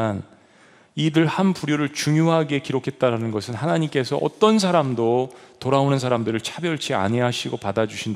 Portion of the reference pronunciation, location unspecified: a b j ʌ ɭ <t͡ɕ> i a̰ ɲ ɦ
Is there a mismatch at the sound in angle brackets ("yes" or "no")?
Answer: yes